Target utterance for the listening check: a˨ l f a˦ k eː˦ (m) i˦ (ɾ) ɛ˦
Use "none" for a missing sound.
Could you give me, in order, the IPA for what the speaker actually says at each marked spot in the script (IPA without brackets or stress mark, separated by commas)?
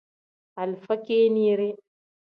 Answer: n, ɾ